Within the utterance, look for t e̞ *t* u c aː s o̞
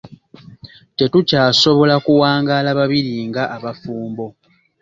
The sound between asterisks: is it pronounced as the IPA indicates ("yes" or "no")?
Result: yes